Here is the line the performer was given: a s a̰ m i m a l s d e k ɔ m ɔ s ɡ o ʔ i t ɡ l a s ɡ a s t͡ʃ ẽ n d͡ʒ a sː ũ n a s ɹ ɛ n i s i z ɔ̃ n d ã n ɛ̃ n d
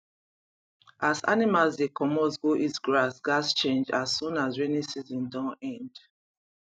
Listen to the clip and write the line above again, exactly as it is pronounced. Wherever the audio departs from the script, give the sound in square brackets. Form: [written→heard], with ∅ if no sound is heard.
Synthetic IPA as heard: a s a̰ [m→n] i m a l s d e k ɔ m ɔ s ɡ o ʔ i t ɡ [l→ɹ] a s ɡ a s t͡ʃ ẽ n d͡ʒ a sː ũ n a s ɹ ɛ n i s i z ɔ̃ n d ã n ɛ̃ n d